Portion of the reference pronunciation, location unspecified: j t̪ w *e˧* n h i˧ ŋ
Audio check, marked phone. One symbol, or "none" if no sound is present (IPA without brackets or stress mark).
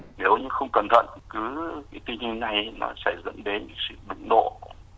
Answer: i˧